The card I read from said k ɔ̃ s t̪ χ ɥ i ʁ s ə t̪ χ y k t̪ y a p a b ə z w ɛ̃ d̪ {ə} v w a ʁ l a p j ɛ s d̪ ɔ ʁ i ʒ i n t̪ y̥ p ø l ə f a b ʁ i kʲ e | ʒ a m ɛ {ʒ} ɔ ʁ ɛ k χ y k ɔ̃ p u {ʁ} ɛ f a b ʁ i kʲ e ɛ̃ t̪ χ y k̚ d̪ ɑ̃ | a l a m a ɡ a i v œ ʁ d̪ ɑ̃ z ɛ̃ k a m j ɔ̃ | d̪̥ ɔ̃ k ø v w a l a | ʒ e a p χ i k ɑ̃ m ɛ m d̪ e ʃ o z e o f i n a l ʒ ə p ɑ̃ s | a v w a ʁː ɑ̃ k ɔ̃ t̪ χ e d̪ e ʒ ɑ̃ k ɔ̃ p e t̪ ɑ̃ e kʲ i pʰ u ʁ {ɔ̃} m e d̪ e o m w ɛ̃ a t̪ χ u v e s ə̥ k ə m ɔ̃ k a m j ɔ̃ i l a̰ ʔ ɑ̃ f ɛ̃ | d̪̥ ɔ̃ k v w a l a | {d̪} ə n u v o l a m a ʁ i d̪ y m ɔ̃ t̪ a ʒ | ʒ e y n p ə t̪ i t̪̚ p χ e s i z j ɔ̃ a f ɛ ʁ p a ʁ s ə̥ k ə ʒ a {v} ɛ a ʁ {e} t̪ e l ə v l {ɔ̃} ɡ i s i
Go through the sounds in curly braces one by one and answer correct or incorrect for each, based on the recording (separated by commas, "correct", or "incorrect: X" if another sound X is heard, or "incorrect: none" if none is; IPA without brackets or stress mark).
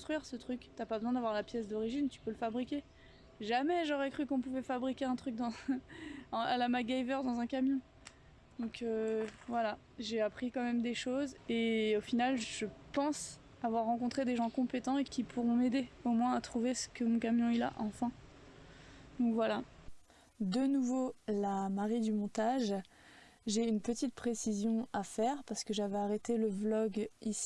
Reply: incorrect: a, correct, incorrect: v, correct, correct, correct, correct, incorrect: ɔ